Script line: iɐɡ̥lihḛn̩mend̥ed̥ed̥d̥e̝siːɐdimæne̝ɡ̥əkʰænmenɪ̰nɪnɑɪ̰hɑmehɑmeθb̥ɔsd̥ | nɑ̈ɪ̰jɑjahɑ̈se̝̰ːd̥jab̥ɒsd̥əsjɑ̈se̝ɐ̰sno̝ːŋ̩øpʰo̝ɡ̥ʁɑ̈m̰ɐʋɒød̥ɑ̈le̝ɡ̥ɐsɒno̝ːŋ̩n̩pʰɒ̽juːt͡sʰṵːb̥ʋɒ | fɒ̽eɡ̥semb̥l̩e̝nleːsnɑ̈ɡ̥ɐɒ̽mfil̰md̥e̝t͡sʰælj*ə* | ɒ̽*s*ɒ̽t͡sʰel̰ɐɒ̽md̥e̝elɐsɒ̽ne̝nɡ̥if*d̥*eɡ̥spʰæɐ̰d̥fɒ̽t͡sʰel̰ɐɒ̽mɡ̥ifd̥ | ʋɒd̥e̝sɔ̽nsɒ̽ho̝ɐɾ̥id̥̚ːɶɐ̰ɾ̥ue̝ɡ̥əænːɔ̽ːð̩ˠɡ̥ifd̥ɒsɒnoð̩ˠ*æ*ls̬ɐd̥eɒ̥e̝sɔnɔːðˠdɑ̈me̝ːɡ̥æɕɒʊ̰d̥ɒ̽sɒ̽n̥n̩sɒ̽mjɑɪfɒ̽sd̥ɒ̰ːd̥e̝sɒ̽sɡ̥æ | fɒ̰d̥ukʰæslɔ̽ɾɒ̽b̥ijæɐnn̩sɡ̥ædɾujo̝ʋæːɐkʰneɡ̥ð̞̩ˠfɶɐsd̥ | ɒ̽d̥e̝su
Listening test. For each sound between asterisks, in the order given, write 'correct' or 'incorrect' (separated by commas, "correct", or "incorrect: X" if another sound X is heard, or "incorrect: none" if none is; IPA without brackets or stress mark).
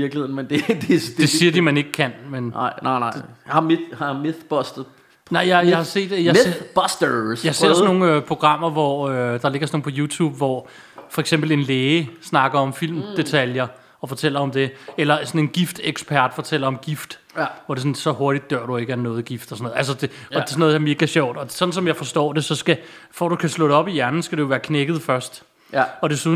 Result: incorrect: ɐ, incorrect: f, correct, correct